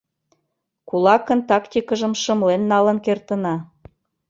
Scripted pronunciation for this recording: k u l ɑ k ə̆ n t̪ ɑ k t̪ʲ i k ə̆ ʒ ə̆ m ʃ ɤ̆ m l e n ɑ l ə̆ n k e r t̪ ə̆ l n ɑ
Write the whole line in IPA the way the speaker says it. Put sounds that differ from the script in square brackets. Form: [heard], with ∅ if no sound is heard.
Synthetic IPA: k u l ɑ k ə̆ n t̪ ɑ k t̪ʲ i k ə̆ ʒ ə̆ m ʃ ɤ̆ m l e [nː] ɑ l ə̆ n k e r t̪ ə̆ [∅] n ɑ

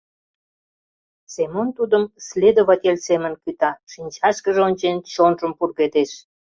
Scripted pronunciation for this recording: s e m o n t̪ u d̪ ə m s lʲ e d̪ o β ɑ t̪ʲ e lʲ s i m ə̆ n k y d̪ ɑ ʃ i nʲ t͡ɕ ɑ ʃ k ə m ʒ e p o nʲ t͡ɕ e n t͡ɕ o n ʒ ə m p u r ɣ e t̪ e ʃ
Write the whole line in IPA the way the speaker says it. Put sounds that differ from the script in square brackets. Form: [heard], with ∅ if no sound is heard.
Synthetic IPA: s e m o n t̪ u d̪ ə m s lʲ e d̪ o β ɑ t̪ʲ e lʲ s [e] m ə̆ n k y [t̪] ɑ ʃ i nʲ t͡ɕ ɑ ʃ k ə [∅] ʒ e [∅] o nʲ t͡ɕ e n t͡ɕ o n ʒ ə m p u r ɣ e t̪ e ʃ

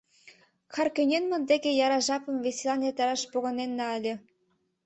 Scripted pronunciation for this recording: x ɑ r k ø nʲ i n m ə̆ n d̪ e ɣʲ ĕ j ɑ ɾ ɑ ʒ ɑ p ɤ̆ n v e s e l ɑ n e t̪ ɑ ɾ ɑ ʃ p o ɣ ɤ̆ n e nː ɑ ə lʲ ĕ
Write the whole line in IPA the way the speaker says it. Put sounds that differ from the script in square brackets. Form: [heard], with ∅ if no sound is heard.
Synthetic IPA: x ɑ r k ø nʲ [e] n m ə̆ n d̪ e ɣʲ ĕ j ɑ ɾ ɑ ʒ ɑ p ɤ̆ [m] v e s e l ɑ n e t̪ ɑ ɾ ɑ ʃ p o ɣ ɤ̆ n e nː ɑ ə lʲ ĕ

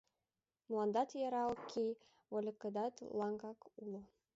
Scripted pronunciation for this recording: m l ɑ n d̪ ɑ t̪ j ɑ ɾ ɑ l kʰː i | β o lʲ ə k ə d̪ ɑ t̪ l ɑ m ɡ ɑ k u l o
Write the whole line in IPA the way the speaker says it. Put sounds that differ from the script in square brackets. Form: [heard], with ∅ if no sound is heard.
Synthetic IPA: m l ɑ n d̪ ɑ t̪ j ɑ ɾ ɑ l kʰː i | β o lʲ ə k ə d̪ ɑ t̪ l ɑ [ŋ] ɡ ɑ k u l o

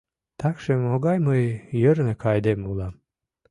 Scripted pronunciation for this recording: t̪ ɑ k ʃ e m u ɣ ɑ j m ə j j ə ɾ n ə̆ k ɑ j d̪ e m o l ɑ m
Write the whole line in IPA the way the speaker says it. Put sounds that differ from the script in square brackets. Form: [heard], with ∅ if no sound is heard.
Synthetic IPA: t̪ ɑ k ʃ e m [o] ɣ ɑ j m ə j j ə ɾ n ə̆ k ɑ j d̪ e m [u] l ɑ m

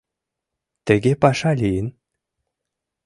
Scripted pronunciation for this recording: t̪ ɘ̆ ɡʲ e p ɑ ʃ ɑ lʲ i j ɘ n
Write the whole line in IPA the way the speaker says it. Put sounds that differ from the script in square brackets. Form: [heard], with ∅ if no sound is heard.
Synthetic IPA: t̪ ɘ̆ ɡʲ e p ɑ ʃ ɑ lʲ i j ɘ n

